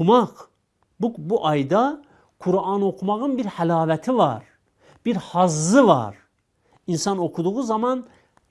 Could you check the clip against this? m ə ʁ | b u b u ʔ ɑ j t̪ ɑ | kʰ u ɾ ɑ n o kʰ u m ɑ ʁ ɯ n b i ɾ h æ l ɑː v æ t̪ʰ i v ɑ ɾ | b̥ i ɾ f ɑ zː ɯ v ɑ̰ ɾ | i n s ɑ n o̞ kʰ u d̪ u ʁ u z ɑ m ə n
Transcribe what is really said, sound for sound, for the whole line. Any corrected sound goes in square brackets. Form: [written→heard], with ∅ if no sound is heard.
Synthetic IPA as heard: m [ə→ɑ] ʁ | b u b u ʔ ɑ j [t̪→d̪] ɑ | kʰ u ɾ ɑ n o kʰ u m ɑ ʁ ɯ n b i ɾ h æ l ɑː v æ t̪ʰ i v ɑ ɾ | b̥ i ɾ [f→h] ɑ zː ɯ v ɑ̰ ɾ | i n s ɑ n o̞ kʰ u d̪ u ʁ u z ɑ m [ə→ɑ] n